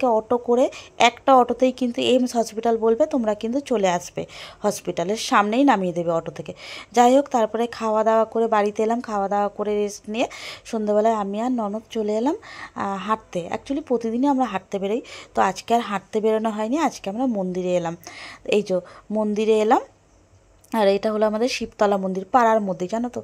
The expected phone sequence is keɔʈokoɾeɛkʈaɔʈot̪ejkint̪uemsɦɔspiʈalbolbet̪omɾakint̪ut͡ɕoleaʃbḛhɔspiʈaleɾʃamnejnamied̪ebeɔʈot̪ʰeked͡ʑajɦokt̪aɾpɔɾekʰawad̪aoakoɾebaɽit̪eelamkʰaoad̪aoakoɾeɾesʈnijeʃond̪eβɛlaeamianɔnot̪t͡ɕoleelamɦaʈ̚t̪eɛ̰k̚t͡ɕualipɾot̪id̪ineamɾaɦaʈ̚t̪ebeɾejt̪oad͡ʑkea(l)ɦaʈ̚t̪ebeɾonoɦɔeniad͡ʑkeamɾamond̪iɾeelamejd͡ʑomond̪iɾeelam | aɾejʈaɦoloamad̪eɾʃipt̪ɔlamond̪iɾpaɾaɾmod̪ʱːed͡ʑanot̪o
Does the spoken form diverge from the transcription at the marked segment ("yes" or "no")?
yes